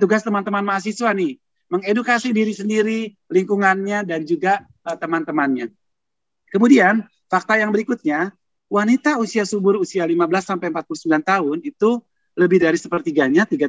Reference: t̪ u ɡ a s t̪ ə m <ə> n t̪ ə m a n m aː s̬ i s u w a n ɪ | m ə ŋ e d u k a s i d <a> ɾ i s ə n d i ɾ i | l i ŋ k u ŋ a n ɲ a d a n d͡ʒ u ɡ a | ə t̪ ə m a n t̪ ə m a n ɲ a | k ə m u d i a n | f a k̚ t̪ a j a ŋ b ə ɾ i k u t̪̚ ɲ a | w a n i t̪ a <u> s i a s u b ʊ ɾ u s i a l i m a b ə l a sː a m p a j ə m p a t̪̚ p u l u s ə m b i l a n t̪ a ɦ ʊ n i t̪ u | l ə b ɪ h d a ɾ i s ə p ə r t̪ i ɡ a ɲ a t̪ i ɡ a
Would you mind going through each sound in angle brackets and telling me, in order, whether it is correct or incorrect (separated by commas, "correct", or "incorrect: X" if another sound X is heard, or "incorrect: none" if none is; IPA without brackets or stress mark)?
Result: incorrect: a, incorrect: i, correct